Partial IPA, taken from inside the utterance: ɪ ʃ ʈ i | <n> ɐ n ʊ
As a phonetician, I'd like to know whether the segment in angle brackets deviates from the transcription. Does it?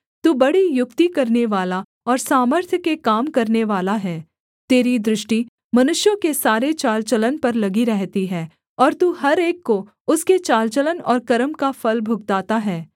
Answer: yes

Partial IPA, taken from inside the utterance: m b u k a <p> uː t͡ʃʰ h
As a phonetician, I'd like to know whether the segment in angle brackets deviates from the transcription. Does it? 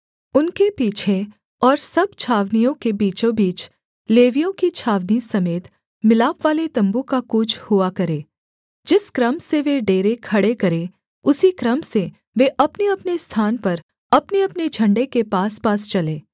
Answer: yes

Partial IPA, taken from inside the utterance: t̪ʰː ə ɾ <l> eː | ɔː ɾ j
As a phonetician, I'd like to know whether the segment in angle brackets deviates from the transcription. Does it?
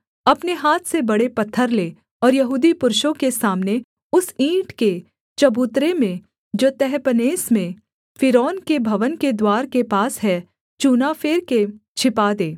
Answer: no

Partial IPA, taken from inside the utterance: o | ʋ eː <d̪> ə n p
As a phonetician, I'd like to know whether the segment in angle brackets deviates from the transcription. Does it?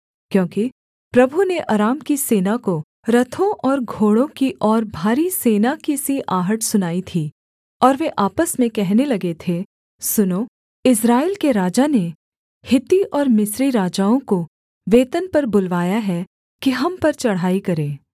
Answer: yes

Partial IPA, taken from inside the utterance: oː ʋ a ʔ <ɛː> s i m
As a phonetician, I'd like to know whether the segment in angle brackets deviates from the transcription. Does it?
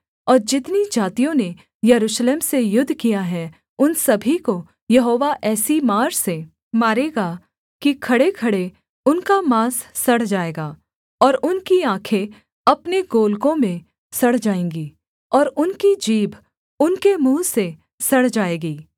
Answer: no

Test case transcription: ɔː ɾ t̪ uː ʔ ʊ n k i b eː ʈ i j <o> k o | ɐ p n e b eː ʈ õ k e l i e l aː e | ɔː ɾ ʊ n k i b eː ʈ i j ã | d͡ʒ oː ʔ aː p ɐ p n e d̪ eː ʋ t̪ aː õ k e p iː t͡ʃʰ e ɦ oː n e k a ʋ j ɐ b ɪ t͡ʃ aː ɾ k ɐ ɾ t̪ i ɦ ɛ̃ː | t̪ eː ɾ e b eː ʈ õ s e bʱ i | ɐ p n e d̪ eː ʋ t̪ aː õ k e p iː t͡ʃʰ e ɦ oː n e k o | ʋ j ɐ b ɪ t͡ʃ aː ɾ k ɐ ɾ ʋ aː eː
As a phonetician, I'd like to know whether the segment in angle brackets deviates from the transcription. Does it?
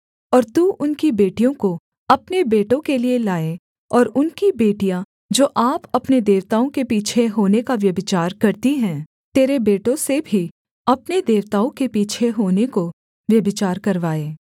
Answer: yes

